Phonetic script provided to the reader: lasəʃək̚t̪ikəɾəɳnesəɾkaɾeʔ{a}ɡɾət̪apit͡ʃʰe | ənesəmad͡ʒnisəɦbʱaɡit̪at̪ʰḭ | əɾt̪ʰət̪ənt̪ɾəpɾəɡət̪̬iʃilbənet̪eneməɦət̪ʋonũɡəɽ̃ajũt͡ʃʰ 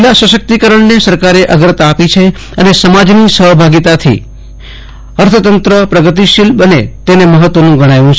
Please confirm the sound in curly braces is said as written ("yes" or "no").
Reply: no